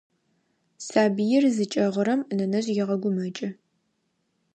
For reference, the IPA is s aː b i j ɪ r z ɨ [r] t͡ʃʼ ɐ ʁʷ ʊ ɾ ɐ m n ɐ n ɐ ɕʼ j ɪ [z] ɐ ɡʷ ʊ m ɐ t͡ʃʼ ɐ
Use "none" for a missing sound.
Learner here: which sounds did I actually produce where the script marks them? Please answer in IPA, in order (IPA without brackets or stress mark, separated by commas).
none, ʁ